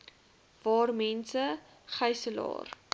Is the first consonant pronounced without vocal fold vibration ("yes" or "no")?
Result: no